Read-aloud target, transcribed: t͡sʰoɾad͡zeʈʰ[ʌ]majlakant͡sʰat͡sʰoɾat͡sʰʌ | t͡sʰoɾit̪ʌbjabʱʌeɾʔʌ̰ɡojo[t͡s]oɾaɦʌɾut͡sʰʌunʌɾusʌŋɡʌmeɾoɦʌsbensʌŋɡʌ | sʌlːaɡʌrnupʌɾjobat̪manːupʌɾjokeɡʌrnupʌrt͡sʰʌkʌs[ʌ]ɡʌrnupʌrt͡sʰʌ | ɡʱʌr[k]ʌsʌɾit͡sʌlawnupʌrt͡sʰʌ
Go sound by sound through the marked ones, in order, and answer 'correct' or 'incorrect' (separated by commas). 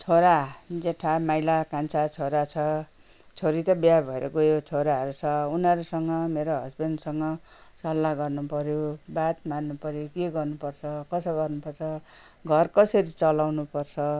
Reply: incorrect, incorrect, correct, correct